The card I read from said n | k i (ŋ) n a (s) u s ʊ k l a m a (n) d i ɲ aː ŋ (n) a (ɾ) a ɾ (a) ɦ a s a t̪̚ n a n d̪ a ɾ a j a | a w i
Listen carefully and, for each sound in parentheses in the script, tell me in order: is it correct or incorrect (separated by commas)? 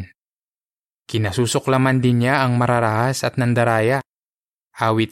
incorrect, correct, correct, incorrect, correct, correct